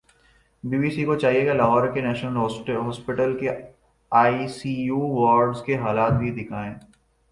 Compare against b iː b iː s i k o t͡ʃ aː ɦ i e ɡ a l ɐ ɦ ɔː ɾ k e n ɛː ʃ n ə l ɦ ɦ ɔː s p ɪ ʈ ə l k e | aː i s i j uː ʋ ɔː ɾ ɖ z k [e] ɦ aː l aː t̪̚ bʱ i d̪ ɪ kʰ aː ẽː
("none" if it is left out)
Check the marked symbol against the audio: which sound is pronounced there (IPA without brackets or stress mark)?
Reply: e